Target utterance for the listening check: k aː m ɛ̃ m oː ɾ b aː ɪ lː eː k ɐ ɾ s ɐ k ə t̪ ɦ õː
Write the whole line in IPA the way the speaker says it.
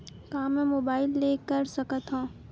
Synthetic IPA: k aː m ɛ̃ m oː b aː ɪ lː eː k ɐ ɾ s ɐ k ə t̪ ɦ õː